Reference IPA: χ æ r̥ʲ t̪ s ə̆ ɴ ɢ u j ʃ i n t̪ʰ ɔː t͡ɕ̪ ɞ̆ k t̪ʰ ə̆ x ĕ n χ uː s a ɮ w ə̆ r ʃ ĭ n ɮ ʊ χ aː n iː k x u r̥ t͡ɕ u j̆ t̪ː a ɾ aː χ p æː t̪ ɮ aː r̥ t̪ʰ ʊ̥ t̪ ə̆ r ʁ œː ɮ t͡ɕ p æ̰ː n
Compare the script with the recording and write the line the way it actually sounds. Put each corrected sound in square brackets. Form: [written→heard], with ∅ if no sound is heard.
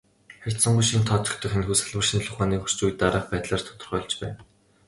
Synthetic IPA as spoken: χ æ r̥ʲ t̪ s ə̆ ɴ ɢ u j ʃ i n t̪ʰ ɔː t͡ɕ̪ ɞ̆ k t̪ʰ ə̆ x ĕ n [χ→x] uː s a ɮ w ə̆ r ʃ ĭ n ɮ ʊ χ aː n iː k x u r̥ t͡ɕ u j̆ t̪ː a ɾ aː χ p æː t̪ ɮ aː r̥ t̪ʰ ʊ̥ t̪ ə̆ r [ʁ→χ] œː ɮ t͡ɕ p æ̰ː n